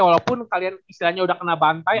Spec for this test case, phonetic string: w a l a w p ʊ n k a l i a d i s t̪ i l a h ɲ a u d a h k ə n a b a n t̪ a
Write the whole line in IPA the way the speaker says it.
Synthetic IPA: w a l a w p ʊ n k a l i a n i s t̪ i l a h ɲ a u d a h k ə n a b a n t̪ a